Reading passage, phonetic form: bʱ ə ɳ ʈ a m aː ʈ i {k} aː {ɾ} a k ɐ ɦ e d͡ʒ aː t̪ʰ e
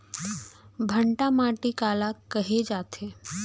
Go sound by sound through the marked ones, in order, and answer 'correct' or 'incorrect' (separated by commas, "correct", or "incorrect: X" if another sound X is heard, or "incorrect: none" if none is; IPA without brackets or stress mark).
correct, incorrect: l